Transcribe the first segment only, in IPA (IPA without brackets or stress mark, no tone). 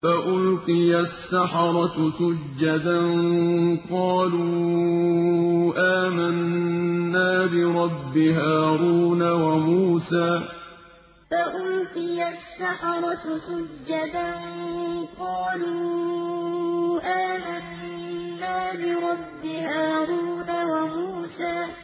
f